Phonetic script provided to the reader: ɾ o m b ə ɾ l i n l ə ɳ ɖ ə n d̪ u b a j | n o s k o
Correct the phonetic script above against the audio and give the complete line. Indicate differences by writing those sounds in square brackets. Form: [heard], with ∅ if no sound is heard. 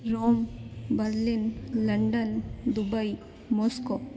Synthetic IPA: ɾ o m b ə ɾ l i n l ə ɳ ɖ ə n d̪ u b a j | [m] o s k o